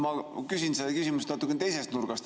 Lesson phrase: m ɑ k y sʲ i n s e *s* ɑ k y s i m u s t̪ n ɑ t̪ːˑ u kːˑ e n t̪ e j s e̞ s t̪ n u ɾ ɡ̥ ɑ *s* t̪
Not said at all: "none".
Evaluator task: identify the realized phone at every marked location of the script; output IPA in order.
none, s

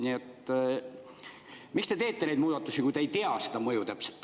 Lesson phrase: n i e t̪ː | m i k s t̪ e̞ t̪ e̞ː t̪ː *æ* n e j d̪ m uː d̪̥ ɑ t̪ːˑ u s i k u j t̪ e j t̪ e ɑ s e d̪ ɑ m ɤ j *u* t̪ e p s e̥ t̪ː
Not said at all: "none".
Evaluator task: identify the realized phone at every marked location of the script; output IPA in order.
e, u

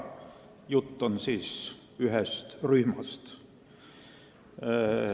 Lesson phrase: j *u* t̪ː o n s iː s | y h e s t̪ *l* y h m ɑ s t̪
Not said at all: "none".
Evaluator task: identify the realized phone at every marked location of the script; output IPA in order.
u, r

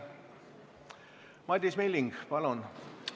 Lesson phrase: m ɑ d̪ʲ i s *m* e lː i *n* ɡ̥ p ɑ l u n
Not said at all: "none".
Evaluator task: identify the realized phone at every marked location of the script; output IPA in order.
m, ŋ

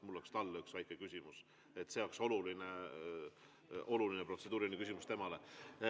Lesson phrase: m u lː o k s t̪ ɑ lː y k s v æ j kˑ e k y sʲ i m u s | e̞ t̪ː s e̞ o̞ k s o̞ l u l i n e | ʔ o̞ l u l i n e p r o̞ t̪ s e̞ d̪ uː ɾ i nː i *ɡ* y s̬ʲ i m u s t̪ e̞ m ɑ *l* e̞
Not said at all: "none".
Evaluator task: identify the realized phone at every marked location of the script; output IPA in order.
k, l

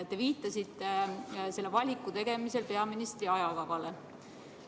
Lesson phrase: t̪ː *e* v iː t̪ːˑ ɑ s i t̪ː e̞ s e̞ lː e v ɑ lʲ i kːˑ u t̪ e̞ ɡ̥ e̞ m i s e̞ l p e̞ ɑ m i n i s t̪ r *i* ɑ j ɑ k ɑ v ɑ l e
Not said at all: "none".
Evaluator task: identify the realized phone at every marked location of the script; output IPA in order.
e, i

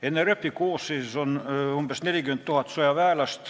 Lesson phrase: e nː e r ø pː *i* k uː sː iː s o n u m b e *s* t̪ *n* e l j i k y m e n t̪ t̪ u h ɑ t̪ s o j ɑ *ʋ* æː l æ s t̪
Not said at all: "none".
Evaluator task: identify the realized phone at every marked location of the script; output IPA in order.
i, s, n, ʋ

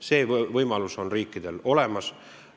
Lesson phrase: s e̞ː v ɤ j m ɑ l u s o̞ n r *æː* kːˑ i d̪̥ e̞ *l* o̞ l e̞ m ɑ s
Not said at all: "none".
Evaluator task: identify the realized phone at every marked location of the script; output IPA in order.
iː, l

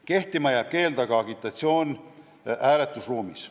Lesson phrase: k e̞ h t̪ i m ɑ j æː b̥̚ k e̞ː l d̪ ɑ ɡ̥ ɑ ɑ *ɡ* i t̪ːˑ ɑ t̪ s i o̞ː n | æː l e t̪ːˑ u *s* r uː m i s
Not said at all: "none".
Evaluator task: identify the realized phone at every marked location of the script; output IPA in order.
ɡ, s

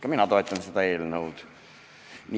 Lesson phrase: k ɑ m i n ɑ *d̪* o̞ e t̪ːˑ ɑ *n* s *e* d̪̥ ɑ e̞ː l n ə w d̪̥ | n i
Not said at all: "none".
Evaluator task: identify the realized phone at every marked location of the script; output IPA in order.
t̪, n, e

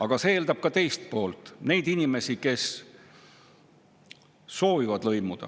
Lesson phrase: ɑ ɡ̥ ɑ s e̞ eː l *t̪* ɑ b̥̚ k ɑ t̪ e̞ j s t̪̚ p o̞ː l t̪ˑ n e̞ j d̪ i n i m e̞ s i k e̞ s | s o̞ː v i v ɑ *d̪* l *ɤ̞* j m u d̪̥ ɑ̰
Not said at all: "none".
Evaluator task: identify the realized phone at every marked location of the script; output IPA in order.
d̪, d̪, ɤ̞

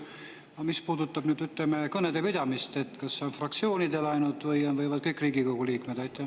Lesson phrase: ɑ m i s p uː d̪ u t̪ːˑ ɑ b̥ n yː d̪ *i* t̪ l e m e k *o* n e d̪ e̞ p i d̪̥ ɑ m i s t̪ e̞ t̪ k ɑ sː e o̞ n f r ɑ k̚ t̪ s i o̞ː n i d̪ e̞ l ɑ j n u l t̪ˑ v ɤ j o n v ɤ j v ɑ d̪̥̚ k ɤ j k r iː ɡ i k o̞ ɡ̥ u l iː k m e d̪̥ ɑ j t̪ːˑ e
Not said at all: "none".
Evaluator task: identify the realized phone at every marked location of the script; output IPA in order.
y, ɤ

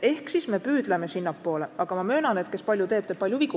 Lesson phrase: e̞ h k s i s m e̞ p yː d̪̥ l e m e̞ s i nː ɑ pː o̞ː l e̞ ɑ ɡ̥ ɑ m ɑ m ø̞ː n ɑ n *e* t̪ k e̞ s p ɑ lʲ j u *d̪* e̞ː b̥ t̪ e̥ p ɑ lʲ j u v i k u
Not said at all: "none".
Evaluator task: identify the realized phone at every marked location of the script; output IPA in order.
e, t̪

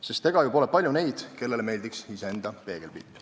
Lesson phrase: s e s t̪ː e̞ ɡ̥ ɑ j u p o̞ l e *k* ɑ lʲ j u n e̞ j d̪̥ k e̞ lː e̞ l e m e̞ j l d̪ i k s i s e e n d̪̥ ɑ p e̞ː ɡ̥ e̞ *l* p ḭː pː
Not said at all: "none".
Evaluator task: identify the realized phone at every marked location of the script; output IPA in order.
p, l

